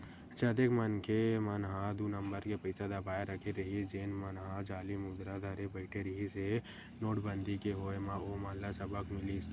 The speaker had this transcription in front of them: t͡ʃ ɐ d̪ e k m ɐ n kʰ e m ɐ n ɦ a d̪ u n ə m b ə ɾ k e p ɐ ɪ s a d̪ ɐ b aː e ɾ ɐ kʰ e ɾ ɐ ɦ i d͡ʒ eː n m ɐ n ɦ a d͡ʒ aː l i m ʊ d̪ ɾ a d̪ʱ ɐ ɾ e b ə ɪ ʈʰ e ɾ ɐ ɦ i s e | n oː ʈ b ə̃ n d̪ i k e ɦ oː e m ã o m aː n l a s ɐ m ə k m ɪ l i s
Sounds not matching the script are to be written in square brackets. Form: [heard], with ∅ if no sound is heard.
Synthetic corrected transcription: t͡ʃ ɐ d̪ e k m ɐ n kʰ e m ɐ n ɦ a d̪ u n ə m b ə ɾ k e p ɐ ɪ s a d̪ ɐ b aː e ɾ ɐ kʰ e ɾ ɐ ɦ i d͡ʒ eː n m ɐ n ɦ a d͡ʒ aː l i m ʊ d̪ ɾ a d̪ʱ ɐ ɾ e b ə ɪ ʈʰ e ɾ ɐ ɦ i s e | n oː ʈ b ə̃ n d̪ i k e ɦ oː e m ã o m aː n l a s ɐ [b] ə k m ɪ l i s